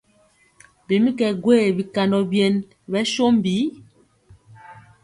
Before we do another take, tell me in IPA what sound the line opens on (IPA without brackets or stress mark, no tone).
b